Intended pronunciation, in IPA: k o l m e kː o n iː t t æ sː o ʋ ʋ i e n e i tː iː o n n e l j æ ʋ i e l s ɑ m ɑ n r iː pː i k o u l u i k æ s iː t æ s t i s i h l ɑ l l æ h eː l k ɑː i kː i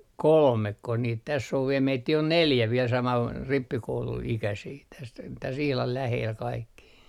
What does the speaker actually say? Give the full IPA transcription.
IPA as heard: k o l m e kː o n iː t t æ sː o ʋ ʋ i e m e i tː iː o n n e l j æ ʋ i e l s ɑ m ɑ n r i pː i k o u l u i k æ s iː t æ s t æ s i h l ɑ l l æ h eː l k ɑ i kː i